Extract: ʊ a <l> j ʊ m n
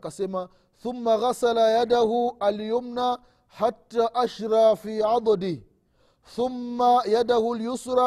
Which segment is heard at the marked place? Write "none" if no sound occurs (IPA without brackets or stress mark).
l